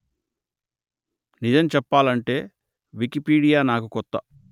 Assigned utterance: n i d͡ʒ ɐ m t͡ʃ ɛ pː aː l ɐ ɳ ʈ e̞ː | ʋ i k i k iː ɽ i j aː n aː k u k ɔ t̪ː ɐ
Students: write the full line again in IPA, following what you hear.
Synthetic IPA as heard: n i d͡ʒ ɐ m t͡ʃ ɛ pː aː l ɐ ɳ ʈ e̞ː | ʋ i k i p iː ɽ i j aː n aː k u k ɔ t̪ː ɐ